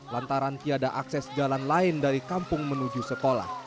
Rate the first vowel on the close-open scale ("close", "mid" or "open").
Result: open